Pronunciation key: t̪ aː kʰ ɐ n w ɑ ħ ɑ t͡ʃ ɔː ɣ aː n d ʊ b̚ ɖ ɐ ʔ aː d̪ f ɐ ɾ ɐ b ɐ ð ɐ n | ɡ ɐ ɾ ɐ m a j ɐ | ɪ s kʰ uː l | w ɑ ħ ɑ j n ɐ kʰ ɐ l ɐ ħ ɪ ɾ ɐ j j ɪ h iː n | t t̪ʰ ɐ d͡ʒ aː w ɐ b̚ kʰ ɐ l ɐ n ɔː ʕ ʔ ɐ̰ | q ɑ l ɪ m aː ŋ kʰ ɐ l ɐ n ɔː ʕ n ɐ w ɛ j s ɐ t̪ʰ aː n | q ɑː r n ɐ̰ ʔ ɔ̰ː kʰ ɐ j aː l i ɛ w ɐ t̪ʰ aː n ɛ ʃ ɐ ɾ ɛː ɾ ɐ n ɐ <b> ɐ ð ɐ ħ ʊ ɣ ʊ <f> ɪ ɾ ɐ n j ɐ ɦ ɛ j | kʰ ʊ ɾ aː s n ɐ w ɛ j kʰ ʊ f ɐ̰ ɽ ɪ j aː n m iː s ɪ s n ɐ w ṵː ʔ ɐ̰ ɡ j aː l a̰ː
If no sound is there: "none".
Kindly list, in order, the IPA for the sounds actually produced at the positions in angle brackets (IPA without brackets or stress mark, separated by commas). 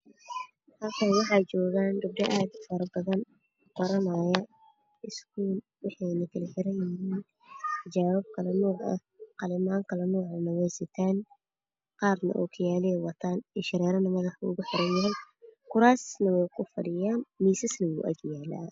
m, ħ